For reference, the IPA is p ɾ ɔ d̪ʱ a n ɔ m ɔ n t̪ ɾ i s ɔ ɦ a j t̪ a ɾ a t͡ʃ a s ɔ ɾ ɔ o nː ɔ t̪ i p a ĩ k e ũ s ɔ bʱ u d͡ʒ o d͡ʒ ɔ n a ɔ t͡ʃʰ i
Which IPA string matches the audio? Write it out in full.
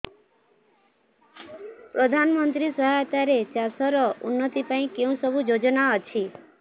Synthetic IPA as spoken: p ɾ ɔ d̪ʱ a n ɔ m ɔ n t̪ ɾ i s ɔ ɦ a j t̪ a ɾ e t͡ʃ a s ɔ ɾ ɔ u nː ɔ t̪ i p a ĩ k e ũ s ɔ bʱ u d͡ʒ o d͡ʒ ɔ n a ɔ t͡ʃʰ i